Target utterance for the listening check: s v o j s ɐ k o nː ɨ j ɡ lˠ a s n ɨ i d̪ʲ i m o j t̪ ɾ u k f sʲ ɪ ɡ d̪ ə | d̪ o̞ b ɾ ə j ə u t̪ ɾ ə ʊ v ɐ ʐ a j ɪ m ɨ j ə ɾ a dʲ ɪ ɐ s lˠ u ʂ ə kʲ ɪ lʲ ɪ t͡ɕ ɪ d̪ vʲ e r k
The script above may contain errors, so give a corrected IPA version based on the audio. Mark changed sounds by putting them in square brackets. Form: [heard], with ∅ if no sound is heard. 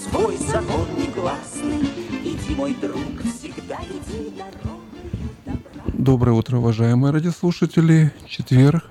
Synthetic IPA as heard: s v o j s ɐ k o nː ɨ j ɡ lˠ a s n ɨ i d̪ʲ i m o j [d̪] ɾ u k f sʲ ɪ ɡ d̪ [a] | d̪ o̞ b ɾ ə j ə u t̪ ɾ ə ʊ v ɐ ʐ a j ɪ m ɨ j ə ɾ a dʲ ɪ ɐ s lˠ u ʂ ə [tʲ] ɪ lʲ ɪ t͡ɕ ɪ [t̪] vʲ e r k